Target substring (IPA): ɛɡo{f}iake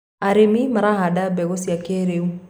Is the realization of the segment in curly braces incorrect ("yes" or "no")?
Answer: yes